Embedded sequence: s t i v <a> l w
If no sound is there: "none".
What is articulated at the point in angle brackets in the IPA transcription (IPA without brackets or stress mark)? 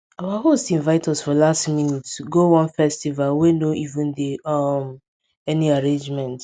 a